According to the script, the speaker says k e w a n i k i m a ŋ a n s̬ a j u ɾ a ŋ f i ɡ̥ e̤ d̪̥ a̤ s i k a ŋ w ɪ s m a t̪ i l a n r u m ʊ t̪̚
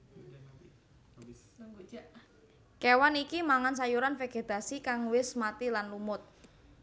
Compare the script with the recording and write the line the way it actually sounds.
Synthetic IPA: k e w a n i k i m a ŋ a n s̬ a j u ɾ a n f e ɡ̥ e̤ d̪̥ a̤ s i k a ŋ w ɪ s m a t̪ i l a n l u m ʊ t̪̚